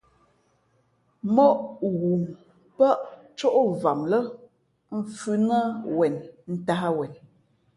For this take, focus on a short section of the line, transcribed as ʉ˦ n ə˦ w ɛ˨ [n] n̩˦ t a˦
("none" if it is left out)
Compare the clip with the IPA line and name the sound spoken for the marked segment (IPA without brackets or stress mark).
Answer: n